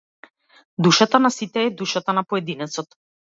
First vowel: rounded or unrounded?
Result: rounded